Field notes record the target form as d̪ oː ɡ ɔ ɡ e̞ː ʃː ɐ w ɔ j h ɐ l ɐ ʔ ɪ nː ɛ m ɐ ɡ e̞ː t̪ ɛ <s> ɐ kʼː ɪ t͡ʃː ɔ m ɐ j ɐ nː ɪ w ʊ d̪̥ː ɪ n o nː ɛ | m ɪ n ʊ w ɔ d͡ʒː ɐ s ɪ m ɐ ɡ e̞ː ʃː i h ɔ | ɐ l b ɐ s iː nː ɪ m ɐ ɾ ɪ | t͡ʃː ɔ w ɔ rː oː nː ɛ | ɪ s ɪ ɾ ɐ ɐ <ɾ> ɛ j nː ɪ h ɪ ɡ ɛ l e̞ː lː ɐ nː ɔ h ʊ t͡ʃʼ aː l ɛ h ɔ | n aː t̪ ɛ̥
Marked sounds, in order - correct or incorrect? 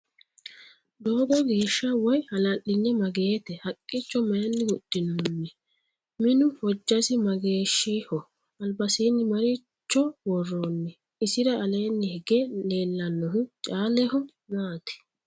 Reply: incorrect, incorrect

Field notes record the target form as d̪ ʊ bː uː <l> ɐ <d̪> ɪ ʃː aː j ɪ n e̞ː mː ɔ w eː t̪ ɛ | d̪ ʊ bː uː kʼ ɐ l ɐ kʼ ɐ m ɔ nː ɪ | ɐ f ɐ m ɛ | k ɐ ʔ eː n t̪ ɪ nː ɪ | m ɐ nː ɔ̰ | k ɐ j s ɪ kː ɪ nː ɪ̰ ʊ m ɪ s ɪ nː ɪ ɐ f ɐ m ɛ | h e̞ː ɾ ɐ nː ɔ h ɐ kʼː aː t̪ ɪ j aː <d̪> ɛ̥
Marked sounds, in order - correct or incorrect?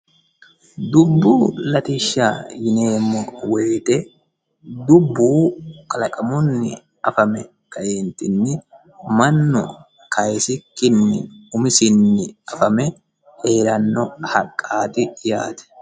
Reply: correct, incorrect, incorrect

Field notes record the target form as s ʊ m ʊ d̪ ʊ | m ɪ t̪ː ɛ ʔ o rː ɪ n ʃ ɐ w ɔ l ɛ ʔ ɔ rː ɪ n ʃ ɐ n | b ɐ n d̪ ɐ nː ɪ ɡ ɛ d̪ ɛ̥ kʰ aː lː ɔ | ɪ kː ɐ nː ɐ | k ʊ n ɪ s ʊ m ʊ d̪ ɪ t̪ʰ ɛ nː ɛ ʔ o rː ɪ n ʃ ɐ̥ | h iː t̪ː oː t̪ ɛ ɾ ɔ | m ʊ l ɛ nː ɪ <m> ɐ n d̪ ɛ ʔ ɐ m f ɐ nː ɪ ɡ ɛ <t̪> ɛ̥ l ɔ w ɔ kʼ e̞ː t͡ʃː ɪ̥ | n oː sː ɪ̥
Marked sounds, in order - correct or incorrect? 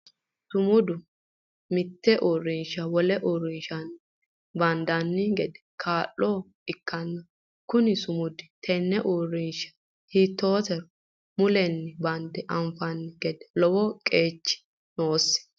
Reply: incorrect, incorrect

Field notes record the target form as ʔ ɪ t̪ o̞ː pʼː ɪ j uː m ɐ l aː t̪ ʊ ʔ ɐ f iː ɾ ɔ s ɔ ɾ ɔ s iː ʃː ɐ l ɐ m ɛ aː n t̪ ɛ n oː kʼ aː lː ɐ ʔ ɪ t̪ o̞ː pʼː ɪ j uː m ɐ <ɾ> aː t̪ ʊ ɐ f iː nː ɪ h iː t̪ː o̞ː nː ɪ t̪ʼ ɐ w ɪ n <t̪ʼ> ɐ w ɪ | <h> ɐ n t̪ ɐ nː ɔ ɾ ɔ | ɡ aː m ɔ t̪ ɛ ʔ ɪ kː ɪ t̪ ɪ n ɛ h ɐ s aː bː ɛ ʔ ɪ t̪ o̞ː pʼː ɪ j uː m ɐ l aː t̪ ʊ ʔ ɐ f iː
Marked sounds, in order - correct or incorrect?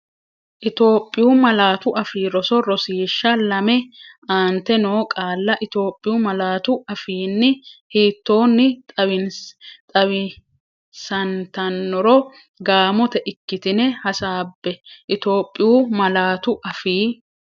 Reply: incorrect, correct, incorrect

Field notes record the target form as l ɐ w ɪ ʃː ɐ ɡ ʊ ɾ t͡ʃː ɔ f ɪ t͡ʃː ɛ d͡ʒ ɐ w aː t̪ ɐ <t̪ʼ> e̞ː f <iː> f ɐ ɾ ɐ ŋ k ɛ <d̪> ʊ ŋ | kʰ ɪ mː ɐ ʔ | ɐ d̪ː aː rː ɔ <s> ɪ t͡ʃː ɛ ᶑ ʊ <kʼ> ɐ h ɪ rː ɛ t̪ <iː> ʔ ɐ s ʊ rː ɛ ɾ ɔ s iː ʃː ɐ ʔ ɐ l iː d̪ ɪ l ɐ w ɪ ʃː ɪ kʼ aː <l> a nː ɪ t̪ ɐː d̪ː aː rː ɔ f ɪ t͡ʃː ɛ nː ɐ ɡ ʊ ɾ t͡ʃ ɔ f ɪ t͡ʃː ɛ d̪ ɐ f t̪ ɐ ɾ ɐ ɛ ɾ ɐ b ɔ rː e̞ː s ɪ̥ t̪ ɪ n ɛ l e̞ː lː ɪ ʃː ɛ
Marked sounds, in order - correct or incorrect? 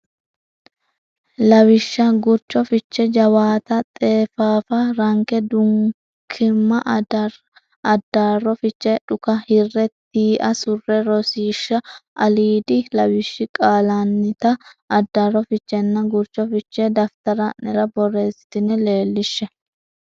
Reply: correct, incorrect, correct, incorrect, incorrect, correct, correct

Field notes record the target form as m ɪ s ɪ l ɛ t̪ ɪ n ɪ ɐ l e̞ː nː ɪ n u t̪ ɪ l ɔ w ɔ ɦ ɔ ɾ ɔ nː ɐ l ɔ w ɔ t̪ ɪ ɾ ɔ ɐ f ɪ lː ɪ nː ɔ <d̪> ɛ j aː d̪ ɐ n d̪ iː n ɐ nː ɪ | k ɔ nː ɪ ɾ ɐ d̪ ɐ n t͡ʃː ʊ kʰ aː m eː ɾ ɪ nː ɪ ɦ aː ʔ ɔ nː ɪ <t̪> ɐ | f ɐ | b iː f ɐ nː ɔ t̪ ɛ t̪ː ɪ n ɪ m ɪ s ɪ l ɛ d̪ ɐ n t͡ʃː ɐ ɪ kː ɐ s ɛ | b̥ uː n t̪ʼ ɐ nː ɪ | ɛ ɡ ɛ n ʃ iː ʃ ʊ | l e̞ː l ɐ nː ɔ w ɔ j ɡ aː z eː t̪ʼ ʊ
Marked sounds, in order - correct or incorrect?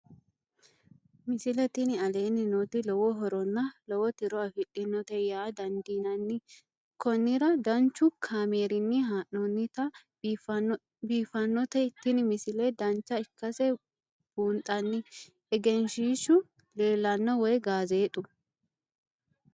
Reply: incorrect, correct

